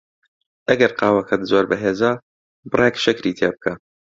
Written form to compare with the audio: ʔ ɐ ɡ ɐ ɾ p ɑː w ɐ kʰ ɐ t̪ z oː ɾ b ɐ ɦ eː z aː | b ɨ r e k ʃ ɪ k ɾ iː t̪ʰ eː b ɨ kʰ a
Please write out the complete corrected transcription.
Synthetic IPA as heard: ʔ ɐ ɡ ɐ ɾ q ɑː w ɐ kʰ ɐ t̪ z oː ɾ b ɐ ɦ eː z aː | b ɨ r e k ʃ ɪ k ɾ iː t̪ʰ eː b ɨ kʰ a

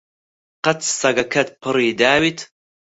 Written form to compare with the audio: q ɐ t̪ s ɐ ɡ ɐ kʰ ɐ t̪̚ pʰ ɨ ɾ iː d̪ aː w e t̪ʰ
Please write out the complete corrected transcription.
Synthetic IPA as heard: q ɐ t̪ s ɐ ɡ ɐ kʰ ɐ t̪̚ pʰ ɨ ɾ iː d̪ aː w i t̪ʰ

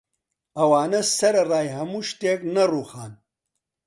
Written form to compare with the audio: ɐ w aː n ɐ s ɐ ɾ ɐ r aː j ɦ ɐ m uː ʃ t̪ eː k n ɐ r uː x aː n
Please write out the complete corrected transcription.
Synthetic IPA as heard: ɐ w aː n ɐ s ɐ ɾ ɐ r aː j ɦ ɐ m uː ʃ t̪ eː k n ɐ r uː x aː n

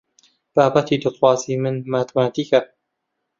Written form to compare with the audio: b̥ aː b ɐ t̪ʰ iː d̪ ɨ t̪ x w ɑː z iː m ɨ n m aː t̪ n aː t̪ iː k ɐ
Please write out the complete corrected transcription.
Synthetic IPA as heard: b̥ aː b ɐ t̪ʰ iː d̪ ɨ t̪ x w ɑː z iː m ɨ n m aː t̪ m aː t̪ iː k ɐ

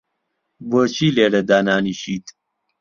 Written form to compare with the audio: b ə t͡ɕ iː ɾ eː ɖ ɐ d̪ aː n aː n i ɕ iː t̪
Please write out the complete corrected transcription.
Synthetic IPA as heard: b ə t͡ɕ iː l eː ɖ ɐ d̪ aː n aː n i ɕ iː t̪

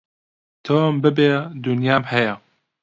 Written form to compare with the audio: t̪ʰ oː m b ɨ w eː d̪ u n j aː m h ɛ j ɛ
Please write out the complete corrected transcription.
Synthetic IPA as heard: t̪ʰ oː m b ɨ b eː d̪ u n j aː m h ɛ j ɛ

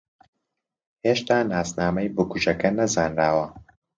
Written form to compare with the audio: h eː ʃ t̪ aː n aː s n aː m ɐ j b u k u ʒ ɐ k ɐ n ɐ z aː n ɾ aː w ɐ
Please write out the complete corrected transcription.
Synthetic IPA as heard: h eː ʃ t̪ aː n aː s n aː m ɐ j b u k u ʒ ɐ k ɐ n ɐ z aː n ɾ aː w ɐ

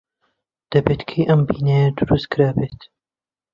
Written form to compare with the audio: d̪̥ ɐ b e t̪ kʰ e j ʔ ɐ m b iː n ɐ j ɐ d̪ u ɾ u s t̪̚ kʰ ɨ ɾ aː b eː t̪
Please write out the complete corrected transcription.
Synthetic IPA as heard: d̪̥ ɐ b e t̪ kʰ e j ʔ ɐ m b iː n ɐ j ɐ d̪ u ɾ u s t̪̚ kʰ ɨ ɾ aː b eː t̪

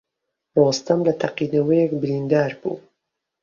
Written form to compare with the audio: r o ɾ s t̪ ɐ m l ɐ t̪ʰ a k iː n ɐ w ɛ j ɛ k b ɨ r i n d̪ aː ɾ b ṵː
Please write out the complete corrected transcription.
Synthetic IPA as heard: r o s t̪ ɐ m l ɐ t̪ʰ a q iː n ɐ w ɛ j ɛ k b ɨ ɾ i n d̪ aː ɾ b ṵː

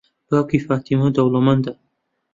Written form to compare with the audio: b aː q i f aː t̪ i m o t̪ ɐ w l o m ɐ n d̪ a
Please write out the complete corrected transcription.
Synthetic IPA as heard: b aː k i f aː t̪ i m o d̪ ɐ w l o m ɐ n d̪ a

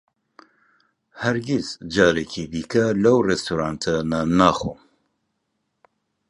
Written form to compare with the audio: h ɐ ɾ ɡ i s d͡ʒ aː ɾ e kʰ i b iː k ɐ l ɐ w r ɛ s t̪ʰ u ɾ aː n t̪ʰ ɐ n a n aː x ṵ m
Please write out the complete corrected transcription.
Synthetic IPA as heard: h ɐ ɾ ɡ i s d͡ʒ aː ɾ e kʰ i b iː k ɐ l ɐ w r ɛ s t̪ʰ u ɾ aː n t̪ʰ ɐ n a n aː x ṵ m

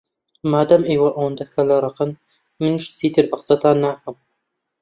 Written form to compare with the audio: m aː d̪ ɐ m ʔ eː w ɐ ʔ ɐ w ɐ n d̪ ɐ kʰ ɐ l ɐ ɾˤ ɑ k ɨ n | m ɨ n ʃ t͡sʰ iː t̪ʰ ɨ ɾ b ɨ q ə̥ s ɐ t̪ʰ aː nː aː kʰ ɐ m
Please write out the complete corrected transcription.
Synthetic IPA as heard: m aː d̪ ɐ m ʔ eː w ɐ ʔ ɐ w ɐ n d̪ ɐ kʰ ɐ l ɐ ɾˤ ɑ q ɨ n | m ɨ n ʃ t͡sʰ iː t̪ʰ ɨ ɾ b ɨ q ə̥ s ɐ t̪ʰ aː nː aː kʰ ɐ m

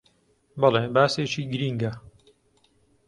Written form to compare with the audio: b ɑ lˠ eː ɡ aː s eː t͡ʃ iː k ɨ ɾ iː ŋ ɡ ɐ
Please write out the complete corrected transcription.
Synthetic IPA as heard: b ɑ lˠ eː b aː s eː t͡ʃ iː ɡ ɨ ɾ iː ŋ ɡ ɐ

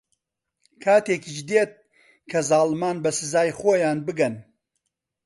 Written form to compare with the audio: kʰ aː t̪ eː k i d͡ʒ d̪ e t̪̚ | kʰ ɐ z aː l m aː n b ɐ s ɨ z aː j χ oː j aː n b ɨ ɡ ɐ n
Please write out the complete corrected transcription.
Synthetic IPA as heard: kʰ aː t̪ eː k i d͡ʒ d̪ e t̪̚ | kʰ ɐ z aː l m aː n b ɐ s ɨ z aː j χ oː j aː n b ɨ ɡ ɐ n

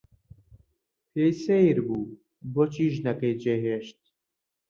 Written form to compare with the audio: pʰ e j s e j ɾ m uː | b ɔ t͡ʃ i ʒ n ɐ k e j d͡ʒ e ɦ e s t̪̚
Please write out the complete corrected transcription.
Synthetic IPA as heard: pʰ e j s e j ɾ b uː | b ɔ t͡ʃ i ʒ n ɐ k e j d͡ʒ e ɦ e ʃ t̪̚

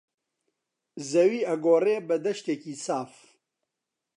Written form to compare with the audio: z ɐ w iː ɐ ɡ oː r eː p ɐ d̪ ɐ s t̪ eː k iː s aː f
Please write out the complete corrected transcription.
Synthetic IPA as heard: z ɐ w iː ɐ ɡ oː r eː b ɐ d̪ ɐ ʃ t̪ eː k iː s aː f

